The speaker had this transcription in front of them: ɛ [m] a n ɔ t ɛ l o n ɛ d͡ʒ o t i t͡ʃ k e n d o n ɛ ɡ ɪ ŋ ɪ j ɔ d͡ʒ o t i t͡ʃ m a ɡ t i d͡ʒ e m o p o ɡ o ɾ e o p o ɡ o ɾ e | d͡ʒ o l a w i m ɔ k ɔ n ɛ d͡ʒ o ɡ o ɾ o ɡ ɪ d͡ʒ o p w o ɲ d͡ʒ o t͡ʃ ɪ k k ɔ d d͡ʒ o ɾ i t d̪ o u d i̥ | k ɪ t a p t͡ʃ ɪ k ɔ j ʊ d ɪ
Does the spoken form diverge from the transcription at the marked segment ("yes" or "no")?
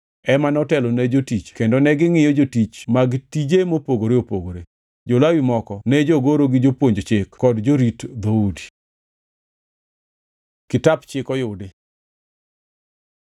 no